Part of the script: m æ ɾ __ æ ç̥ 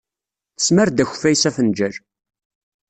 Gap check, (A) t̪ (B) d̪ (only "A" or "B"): B